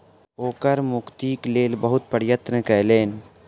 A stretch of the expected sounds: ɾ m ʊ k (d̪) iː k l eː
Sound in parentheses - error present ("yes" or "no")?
yes